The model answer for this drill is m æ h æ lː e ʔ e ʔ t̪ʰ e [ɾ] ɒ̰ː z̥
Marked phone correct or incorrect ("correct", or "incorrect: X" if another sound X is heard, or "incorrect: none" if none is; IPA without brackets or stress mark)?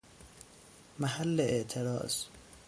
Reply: correct